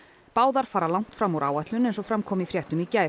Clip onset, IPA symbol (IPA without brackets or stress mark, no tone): p